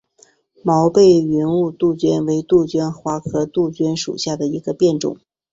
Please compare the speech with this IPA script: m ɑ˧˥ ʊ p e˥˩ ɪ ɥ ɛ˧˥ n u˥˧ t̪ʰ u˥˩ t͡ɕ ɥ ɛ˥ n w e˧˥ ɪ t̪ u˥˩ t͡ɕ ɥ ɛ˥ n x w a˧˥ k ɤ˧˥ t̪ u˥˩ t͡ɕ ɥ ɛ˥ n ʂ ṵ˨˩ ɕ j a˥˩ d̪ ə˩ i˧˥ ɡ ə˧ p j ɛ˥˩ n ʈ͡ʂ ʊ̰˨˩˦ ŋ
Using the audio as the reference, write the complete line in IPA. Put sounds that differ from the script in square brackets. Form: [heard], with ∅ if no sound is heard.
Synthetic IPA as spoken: m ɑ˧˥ ʊ p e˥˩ ɪ ɥ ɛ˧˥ n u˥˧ [t̪] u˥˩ t͡ɕ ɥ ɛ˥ n w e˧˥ ɪ t̪ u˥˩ t͡ɕ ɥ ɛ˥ n x w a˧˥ [kʰ] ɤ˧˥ t̪ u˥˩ t͡ɕ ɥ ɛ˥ n ʂ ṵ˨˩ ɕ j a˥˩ d̪ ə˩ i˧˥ ɡ ə˧ p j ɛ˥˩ n ʈ͡ʂ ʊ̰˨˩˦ ŋ